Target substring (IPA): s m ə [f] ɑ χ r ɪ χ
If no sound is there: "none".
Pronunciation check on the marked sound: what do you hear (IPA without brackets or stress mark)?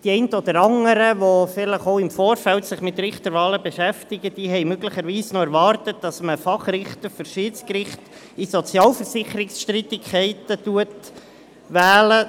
f